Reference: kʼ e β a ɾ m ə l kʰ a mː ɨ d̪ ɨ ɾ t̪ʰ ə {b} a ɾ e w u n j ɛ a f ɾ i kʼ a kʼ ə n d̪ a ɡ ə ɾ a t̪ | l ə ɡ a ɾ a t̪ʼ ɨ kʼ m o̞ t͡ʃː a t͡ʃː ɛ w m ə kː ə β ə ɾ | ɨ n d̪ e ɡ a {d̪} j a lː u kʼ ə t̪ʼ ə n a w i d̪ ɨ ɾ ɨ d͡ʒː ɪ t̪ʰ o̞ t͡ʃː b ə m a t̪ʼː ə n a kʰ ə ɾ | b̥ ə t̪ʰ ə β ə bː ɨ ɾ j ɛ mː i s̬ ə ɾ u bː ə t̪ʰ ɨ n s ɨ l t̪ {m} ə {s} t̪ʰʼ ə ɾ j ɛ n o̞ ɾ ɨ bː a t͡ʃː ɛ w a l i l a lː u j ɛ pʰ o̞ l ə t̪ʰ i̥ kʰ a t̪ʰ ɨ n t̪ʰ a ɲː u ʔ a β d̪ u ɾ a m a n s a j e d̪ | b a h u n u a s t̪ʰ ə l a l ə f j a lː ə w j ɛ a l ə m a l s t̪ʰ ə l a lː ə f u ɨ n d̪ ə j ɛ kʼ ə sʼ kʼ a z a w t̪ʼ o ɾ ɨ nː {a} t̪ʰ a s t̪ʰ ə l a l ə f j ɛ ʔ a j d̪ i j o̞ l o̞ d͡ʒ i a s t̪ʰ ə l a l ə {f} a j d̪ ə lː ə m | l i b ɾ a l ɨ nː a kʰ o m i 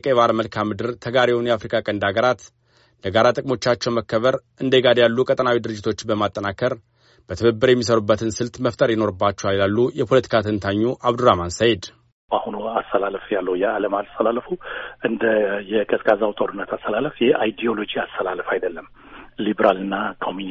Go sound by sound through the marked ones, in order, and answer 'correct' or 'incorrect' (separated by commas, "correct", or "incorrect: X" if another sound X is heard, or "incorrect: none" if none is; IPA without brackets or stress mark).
incorrect: ɡ, correct, correct, incorrect: f, incorrect: ə, correct